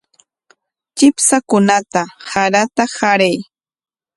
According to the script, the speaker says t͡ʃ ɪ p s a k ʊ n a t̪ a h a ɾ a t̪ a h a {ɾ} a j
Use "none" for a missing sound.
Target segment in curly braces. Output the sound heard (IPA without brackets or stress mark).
ɾ